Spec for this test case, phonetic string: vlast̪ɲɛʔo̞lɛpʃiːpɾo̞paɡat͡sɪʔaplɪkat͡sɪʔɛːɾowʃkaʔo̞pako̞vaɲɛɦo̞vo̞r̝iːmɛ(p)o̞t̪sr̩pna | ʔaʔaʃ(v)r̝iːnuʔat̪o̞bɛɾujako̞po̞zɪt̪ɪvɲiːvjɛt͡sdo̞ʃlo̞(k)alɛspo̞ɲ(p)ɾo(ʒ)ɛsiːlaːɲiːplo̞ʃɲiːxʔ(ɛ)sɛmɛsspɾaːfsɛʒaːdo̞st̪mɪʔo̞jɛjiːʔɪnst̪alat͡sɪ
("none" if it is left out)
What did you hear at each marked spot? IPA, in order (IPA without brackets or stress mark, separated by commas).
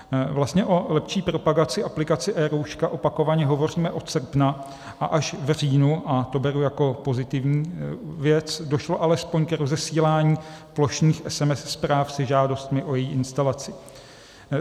ʔ, v, ʔ, k, z, ɛ